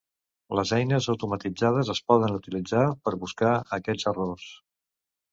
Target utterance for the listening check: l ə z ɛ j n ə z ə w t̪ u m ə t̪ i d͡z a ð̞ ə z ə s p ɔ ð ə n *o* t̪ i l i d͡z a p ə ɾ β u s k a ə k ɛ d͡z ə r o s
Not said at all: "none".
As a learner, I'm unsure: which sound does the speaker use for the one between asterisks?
u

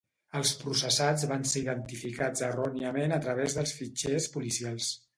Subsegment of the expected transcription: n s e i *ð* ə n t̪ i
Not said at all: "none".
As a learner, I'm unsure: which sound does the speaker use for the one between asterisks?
ð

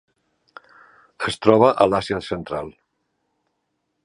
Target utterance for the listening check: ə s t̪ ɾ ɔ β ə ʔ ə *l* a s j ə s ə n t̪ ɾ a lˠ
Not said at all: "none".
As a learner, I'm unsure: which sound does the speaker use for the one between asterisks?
l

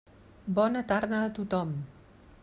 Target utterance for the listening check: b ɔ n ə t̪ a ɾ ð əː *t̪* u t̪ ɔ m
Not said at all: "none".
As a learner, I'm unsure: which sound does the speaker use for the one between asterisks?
t̪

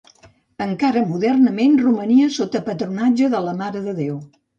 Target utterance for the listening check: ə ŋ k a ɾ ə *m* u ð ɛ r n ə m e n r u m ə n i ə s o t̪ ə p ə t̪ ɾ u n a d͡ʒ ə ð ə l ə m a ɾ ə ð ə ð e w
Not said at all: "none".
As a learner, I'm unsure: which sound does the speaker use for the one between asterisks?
m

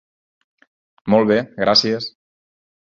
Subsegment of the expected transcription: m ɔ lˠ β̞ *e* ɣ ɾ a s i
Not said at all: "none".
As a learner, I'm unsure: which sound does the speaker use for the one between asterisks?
e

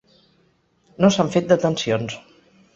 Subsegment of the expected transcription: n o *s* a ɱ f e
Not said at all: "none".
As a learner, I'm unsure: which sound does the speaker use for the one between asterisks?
s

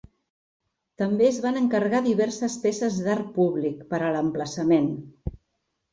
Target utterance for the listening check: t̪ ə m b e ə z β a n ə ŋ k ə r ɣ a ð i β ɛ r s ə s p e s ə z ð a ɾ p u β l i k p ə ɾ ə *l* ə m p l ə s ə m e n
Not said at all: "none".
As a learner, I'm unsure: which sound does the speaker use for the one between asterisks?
l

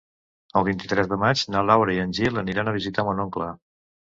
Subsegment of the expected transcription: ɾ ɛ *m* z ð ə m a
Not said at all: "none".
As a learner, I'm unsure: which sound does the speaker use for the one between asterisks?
none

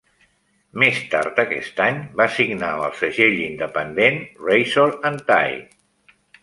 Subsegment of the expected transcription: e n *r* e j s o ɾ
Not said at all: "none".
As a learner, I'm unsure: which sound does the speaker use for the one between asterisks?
r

